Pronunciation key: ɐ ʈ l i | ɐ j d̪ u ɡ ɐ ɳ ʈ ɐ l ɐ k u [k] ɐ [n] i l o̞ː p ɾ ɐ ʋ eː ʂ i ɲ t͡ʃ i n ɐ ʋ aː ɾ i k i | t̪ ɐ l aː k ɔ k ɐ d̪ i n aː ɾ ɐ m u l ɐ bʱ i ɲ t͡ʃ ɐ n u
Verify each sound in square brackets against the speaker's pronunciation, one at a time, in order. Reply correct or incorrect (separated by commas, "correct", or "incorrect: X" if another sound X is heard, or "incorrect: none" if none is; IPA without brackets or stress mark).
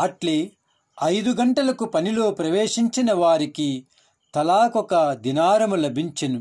incorrect: p, correct